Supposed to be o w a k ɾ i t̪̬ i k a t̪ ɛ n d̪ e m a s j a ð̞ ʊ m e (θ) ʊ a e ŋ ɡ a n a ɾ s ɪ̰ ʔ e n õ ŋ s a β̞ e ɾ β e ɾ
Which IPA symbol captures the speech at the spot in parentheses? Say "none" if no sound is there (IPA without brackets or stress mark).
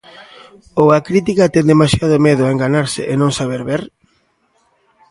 ð